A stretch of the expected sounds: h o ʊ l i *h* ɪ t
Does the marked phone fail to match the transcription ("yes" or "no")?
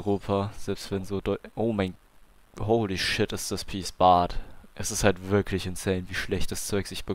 yes